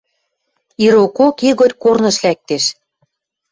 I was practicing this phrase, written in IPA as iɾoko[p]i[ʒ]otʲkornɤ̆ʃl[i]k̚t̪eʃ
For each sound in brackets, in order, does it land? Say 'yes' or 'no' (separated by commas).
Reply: no, no, no